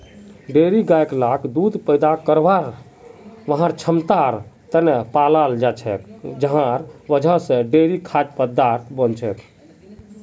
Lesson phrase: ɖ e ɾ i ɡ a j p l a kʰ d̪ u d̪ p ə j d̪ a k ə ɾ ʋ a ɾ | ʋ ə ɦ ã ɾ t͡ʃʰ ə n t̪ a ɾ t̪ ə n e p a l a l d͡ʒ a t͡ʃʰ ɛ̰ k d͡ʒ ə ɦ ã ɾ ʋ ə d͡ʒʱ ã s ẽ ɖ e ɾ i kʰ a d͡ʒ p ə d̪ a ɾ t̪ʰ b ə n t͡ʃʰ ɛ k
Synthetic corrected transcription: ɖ e ɾ i ɡ a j k l a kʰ d̪ u d̪ p ə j d̪ a k ə ɾ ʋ a ɾ | ʋ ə ɦ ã ɾ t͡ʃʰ ə m t̪ a ɾ t̪ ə n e p a l a l d͡ʒ a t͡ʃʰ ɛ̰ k d͡ʒ ə ɦ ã ɾ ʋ ə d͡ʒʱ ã s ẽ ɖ e ɾ i kʰ a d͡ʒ p ə d̪ a ɾ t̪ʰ b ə n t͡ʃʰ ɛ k